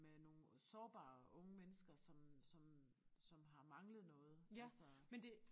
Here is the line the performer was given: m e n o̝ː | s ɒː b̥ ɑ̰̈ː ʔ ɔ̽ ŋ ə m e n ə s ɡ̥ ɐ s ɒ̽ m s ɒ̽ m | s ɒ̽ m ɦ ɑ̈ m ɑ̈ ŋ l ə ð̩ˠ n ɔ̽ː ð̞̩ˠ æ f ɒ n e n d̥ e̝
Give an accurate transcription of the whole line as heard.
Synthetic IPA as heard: m e n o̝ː | s ɒː b̥ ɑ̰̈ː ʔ ɔ̽ ŋ ə m e n ə s ɡ̥ ɐ s ɒ̽ m s ɒ̽ m | s ɒ̽ m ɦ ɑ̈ m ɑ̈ ŋ l ə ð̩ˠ n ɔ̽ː ð̞̩ˠ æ s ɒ m e n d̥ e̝